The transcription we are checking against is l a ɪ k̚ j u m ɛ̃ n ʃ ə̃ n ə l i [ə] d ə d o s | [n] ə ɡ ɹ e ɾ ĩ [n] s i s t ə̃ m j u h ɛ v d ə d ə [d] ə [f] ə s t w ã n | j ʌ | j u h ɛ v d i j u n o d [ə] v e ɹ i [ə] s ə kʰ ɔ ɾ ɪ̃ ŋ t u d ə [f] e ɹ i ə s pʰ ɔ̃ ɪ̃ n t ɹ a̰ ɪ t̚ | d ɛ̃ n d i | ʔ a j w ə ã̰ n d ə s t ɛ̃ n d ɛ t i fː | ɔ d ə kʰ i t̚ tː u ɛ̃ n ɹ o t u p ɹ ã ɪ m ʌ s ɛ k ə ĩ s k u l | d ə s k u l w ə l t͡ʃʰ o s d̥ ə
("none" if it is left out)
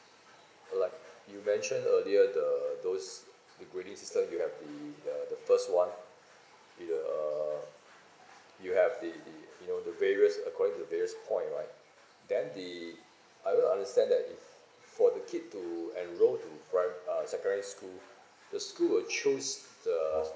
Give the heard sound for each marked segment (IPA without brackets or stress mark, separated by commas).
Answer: ə, d, ŋ, d, f, ə, ə, v